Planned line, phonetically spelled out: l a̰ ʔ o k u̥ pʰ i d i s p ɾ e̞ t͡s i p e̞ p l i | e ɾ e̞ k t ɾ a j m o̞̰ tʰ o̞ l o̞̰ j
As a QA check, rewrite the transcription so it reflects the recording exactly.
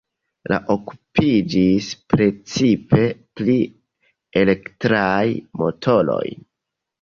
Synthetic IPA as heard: l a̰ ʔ o k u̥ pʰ i d͡ʒ i s p ɾ e̞ t͡s i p e̞ p l i | e l e̞ k t ɾ a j m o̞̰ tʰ o̞ l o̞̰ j